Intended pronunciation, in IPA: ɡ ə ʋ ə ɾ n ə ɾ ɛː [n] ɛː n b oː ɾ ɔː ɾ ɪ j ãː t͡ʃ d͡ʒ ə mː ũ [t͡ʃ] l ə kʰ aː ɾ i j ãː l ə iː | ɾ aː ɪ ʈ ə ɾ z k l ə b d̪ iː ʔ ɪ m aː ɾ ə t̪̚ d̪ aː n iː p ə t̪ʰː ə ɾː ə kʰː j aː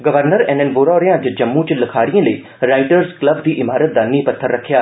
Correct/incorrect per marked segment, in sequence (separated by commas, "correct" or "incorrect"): correct, correct